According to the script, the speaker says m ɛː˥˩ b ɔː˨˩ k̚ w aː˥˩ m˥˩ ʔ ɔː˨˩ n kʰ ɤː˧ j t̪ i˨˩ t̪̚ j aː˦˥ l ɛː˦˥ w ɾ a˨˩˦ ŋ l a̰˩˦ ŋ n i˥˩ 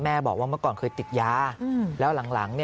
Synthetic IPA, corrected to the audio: m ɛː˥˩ b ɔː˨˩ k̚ w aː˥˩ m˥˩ k ɔː˨˩ n kʰ ɤː˧ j t̪ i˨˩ t̪̚ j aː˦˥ l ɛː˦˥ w l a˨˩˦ ŋ l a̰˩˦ ŋ n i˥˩